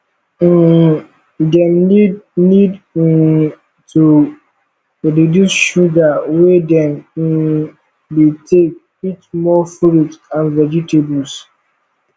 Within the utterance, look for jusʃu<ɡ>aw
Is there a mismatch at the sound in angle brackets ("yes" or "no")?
no